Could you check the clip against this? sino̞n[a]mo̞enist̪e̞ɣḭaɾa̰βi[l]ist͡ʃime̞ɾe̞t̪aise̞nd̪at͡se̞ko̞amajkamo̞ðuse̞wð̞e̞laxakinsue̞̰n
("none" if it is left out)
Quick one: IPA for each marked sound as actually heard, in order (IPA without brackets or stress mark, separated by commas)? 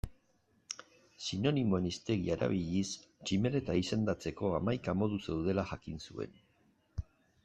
i, ʎ